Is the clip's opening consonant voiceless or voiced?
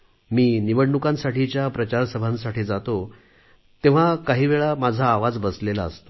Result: voiced